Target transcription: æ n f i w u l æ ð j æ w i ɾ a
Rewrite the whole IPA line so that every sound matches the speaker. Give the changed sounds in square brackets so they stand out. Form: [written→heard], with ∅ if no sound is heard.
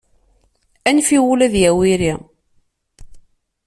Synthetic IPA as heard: æ n f i w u l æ ð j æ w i ɾ [a→i]